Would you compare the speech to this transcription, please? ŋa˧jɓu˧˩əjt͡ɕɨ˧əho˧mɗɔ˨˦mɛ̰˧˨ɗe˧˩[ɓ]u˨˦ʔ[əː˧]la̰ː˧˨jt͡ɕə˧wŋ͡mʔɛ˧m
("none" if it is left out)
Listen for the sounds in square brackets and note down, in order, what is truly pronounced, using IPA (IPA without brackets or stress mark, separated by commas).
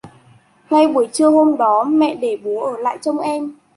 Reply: ɓ, əː˧˩